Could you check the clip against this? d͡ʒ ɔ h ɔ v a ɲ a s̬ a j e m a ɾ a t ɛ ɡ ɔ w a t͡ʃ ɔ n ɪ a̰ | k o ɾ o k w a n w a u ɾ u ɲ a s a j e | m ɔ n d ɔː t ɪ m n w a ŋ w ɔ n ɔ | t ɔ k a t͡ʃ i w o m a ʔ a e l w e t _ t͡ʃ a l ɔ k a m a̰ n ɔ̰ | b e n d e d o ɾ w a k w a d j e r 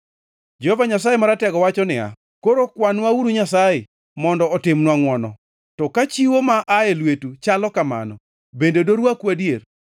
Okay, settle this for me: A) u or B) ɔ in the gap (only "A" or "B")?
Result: A